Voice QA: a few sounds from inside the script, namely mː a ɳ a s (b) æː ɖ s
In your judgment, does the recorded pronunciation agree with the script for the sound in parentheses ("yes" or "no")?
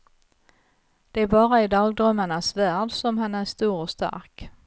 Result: no